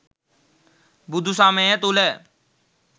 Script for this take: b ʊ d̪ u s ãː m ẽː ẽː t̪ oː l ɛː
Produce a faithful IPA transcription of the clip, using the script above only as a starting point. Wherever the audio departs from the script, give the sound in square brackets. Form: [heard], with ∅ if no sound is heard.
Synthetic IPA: b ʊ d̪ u s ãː m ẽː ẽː t̪ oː l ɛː